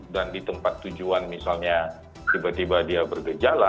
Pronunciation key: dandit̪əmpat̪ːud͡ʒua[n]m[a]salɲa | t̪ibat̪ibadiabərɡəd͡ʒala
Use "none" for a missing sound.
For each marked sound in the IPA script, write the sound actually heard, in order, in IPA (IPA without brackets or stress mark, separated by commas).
n, i